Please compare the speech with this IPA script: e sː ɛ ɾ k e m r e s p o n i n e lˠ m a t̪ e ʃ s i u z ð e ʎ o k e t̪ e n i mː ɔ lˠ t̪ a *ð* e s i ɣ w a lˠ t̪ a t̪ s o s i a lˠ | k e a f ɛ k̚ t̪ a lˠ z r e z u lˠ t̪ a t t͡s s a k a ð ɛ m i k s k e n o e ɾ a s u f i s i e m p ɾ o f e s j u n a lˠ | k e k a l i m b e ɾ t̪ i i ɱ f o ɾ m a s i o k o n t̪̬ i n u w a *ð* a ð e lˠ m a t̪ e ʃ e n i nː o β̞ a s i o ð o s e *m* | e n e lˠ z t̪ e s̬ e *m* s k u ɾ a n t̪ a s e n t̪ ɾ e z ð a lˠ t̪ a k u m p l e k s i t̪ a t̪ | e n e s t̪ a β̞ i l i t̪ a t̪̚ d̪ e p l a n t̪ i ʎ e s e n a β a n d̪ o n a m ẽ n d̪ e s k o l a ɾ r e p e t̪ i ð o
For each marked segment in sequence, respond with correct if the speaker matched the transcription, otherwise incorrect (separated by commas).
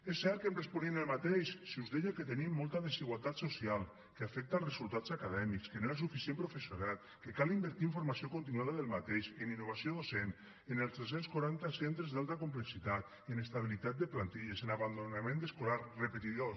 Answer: correct, correct, incorrect, incorrect